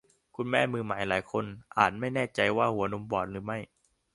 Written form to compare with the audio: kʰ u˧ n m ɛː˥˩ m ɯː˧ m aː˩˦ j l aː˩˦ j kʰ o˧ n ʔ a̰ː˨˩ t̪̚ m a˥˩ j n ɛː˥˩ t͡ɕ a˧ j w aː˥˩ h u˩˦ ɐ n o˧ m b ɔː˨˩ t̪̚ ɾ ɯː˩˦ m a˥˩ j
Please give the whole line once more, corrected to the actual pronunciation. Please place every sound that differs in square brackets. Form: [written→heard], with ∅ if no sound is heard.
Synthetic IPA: kʰ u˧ n m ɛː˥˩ m ɯː˧ m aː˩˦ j l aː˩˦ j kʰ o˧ n ʔ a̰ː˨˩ t̪̚ m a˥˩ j n ɛː˥˩ t͡ɕ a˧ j w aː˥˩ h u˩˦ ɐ n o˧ m b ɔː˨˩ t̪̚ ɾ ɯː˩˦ m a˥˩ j